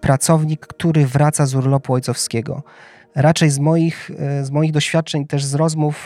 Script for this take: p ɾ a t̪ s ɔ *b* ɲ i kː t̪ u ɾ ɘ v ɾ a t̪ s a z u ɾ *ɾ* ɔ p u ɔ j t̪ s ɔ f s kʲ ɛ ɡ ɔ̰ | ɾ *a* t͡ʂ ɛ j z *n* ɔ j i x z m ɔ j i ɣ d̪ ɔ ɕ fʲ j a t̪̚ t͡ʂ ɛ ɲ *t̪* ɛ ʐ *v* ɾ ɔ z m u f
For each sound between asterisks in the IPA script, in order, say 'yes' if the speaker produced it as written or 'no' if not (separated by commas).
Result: no, no, yes, no, yes, no